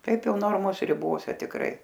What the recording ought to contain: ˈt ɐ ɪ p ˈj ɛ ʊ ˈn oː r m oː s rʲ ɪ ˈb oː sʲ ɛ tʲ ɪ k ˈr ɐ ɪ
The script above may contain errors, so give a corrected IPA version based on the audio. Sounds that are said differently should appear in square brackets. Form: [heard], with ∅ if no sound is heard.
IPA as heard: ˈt ɐ ɪ p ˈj ɛ ʊ ˈn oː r m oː s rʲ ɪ ˈb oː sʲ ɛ tʲ ɪ k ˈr ɐ ɪ